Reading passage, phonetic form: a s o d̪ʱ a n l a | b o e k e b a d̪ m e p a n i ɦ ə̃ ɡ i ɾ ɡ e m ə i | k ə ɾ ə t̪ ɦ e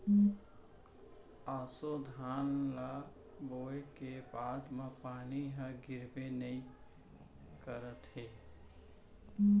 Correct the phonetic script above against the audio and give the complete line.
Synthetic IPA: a s o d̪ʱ a n l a | b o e k e b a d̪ m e p a n i ɦ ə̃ ɡ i ɾ b e n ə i | k ə ɾ ə t̪ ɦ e